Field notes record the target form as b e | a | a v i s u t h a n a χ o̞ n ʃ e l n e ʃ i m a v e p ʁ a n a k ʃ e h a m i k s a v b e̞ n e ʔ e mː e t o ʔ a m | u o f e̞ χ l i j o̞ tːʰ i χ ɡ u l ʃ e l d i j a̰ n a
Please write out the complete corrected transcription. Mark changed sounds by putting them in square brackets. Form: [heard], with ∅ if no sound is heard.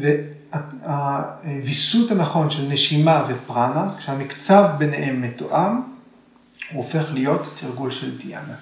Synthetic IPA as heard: [v] e | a | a v i s u t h a n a χ o̞ n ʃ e l n e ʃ i m a v e p ʁ a n a k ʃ e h a m i k [t͡s] a v b e̞ n e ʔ e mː e t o ʔ a m | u o f e̞ χ l i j o̞ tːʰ i [ʁ] ɡ u l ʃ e l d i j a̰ n a